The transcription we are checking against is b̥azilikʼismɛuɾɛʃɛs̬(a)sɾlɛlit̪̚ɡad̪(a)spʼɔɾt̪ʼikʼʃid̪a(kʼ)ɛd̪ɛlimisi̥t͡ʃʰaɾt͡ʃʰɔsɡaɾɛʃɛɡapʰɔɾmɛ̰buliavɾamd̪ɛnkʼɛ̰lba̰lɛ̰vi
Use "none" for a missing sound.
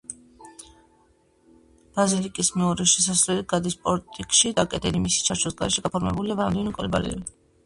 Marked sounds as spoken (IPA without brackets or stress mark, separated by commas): a, i, kʼ